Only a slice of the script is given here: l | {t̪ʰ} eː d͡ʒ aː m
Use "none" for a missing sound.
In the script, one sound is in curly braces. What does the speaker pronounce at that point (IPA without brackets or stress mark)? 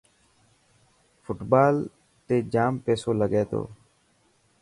t̪